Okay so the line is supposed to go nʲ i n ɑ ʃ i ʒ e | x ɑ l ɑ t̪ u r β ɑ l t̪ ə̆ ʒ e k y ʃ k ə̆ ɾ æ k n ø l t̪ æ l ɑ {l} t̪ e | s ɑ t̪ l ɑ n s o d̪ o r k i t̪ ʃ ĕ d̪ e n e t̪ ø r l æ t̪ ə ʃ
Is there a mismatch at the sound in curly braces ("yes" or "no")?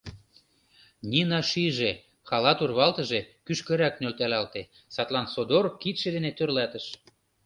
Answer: no